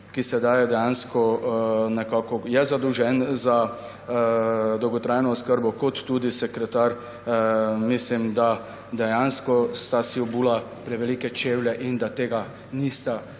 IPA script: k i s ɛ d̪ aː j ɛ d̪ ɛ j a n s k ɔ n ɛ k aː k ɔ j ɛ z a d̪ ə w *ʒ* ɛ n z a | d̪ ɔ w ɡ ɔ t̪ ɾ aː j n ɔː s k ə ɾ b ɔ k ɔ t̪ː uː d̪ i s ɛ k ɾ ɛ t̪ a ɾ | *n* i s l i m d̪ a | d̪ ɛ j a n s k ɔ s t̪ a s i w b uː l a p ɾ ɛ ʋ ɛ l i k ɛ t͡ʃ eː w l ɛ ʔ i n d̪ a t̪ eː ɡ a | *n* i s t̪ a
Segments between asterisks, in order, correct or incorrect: correct, incorrect, correct

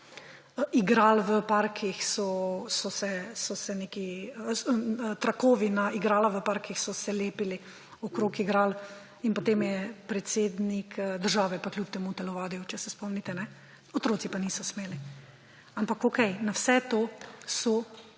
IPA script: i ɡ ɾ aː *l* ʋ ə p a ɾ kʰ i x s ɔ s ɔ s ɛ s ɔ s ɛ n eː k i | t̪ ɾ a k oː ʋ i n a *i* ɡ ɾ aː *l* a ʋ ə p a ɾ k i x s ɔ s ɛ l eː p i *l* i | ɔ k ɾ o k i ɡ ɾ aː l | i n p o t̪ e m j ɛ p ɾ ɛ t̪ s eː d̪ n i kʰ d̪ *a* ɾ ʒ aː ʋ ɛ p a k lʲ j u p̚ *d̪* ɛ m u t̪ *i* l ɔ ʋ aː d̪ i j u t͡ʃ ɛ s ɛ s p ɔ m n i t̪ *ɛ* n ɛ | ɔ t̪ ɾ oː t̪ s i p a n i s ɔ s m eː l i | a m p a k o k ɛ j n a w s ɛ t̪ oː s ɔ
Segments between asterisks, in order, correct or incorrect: correct, correct, correct, correct, incorrect, incorrect, incorrect, correct

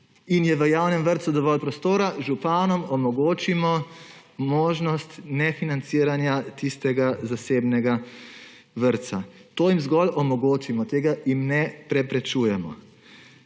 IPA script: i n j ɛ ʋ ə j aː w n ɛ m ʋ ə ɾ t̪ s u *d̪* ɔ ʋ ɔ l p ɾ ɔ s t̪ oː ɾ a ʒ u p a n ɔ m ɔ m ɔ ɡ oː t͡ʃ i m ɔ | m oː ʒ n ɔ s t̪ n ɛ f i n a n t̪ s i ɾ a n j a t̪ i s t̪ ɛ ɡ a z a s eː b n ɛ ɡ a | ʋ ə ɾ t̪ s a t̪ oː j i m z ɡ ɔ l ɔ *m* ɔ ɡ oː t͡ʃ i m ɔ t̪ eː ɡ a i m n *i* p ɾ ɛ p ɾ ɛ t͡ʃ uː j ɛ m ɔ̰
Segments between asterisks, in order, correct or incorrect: correct, correct, incorrect

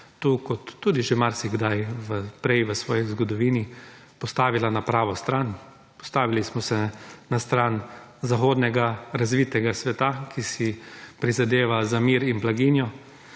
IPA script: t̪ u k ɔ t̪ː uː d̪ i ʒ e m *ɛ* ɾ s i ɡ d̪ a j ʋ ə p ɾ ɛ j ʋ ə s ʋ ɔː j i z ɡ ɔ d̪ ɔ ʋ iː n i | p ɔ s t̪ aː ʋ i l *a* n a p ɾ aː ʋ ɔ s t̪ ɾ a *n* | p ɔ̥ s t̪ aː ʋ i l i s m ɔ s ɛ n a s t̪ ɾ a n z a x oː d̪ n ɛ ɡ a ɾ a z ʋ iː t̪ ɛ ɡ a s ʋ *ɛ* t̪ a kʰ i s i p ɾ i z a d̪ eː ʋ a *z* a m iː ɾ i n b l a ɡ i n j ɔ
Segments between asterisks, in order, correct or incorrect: incorrect, correct, correct, correct, correct

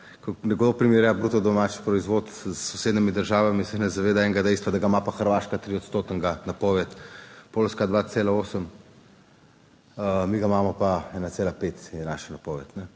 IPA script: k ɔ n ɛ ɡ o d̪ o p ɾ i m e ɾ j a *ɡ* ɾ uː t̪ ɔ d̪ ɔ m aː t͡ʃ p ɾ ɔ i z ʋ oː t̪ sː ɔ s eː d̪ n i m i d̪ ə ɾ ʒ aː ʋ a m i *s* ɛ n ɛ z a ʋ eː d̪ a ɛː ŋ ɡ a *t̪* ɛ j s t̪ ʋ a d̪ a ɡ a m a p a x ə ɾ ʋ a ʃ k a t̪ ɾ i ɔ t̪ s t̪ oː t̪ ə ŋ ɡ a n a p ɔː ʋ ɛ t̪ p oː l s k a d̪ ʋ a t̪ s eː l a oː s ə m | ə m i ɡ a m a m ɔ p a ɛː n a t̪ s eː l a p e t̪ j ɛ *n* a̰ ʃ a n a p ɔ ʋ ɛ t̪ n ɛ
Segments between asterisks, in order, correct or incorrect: incorrect, correct, incorrect, correct

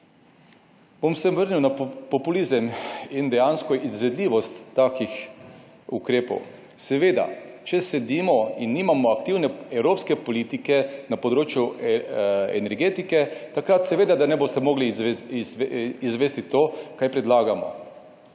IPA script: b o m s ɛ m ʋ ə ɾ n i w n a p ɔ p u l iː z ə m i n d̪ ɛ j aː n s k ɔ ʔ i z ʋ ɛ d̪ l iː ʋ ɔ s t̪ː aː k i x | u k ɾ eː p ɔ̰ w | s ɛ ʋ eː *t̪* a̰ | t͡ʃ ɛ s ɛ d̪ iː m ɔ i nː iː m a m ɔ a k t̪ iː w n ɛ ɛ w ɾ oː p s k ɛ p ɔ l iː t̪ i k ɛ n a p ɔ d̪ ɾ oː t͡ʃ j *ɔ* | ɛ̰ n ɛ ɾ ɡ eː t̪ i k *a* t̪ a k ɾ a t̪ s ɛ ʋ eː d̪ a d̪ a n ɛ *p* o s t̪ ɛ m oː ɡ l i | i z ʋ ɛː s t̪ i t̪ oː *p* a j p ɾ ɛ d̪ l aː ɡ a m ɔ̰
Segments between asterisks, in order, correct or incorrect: incorrect, incorrect, incorrect, incorrect, incorrect

